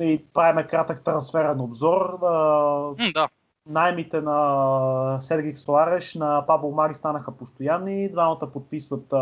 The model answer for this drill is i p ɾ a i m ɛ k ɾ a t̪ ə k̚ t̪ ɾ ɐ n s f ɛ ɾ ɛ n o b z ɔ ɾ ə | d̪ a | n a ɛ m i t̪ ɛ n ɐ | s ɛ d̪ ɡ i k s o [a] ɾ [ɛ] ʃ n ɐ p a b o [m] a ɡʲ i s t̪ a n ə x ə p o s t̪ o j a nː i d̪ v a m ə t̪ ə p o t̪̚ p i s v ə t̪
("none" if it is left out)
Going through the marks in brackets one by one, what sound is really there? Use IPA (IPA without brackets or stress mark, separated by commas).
a, ɛ, m